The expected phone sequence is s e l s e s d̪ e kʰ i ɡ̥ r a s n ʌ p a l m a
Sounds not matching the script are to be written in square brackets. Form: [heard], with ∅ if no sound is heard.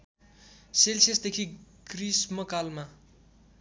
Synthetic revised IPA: s e l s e s d̪ e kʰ i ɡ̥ r [i] s [m] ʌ [k] a l m a